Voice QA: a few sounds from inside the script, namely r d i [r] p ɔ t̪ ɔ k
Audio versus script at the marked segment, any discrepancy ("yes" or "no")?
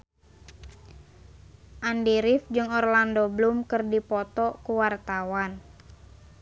yes